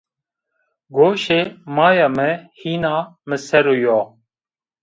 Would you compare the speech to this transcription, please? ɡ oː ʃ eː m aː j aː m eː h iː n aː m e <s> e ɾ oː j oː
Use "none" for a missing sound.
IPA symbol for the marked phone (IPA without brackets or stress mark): s